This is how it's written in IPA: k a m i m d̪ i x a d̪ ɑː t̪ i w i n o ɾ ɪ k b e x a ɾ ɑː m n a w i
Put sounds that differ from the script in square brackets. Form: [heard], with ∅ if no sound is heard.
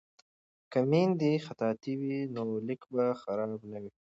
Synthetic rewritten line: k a m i [n] d̪ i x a [t̪] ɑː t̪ i w i n o [l] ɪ k b [a] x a ɾ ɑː [b] n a w i